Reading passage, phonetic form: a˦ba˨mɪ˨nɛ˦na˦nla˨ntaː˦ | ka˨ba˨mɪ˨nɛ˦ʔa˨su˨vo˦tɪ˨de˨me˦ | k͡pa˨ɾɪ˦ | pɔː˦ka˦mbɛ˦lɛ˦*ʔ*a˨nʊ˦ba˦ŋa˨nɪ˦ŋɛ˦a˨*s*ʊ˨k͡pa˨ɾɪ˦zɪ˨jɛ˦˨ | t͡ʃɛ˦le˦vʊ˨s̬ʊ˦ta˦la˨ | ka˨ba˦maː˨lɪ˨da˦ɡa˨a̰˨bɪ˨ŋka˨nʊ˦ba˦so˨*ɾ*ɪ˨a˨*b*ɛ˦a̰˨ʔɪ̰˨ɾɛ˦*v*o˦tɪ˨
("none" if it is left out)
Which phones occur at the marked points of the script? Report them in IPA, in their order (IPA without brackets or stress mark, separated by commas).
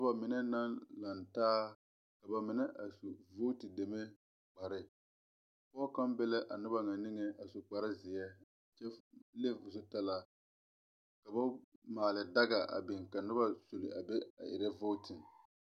ʔ, s, l, b, v